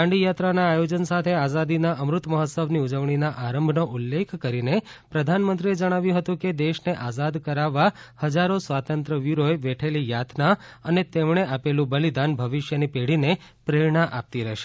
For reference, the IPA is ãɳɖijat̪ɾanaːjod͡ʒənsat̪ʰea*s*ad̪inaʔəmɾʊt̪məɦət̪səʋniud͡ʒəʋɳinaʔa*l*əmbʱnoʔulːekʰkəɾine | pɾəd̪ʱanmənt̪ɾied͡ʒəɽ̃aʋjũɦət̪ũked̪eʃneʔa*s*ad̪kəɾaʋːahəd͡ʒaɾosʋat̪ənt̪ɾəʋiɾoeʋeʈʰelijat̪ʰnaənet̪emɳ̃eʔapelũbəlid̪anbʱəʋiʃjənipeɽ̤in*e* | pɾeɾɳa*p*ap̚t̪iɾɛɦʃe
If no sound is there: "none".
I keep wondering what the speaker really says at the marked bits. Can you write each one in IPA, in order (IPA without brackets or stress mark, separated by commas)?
z, ɾ, z, e, ʔ